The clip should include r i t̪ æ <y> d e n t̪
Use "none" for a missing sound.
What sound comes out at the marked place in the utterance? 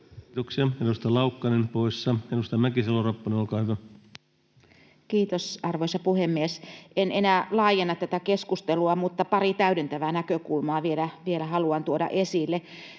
y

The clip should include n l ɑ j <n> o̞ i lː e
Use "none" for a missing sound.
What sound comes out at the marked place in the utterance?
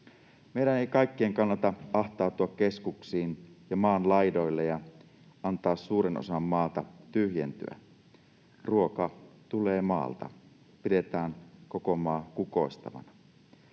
d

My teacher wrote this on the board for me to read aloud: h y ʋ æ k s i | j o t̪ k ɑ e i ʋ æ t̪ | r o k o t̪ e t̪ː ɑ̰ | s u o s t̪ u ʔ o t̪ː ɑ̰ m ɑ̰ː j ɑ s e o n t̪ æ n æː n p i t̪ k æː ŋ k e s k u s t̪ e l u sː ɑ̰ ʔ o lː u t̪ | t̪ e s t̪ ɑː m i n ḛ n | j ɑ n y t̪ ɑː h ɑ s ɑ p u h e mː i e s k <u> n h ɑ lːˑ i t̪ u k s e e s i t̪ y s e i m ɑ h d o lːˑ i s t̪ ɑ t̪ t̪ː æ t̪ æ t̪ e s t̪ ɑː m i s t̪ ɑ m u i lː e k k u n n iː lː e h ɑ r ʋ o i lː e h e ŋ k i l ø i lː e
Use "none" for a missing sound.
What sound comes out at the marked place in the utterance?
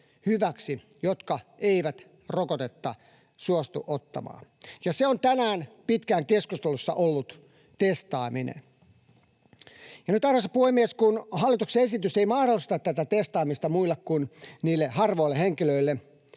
u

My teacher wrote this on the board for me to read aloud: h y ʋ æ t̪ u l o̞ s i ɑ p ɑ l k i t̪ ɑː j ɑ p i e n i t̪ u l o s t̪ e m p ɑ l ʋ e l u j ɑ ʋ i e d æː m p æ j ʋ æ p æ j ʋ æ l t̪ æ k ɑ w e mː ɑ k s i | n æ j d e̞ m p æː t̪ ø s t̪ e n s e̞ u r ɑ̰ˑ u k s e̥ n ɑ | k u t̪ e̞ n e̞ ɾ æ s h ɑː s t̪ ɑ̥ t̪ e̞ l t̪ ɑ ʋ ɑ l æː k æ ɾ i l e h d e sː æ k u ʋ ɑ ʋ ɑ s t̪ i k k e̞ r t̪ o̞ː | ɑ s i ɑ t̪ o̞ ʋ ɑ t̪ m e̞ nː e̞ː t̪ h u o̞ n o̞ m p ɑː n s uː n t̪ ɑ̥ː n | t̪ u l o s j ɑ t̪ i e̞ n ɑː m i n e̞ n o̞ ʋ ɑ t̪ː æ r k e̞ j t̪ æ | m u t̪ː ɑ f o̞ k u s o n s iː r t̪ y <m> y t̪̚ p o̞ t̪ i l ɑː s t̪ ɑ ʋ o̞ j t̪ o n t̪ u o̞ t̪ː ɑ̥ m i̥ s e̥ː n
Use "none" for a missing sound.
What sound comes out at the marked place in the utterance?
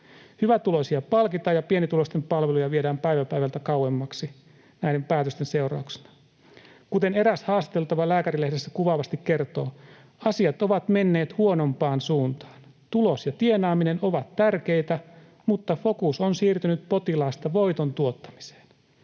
n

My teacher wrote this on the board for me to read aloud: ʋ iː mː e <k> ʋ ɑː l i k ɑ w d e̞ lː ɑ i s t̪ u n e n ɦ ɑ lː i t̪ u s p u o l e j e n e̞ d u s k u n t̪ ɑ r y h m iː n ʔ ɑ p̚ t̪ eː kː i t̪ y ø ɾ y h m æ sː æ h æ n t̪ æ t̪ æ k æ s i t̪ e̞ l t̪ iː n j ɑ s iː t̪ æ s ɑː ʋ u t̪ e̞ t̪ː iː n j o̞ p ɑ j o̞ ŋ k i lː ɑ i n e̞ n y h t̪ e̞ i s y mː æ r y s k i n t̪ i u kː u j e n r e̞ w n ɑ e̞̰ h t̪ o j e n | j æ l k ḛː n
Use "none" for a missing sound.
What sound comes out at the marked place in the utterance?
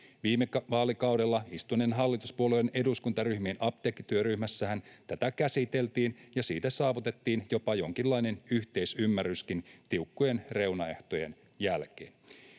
k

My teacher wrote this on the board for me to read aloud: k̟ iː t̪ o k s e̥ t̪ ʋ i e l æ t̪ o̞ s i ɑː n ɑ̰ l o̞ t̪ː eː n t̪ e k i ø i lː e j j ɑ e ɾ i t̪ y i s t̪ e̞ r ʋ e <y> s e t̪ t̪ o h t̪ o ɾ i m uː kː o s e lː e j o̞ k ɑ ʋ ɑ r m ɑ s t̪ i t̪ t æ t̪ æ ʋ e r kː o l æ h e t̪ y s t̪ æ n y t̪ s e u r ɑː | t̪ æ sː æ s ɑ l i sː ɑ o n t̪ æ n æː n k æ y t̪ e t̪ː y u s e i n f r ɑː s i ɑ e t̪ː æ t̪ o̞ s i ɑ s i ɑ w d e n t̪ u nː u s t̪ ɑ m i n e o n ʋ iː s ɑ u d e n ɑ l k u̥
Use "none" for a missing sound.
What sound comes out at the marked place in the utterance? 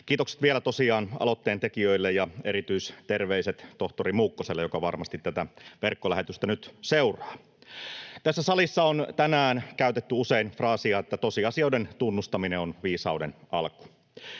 i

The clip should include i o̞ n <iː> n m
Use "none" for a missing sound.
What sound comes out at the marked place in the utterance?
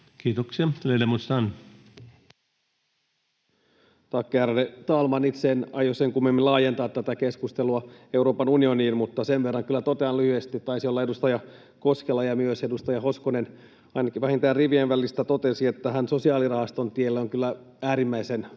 iː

